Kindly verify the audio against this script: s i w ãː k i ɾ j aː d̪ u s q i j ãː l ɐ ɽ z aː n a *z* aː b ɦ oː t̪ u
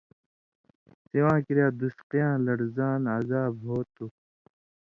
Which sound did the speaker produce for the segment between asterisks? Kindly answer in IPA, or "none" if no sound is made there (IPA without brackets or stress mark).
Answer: z